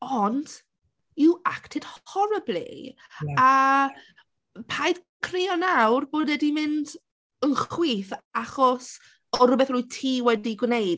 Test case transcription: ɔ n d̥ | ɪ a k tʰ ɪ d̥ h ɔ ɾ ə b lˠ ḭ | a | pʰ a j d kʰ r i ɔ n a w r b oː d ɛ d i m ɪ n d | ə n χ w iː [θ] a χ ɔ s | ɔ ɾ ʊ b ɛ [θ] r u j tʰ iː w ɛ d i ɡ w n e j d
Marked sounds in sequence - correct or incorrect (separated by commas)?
correct, correct